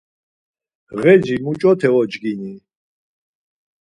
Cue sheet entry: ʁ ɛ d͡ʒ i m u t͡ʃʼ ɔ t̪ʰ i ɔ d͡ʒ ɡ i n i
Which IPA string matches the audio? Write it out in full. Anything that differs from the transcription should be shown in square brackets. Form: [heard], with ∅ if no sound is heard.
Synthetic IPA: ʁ ɛ d͡ʒ i m u t͡ʃʼ ɔ t̪ʰ [ɛ] ɔ d͡ʒ ɡ i n i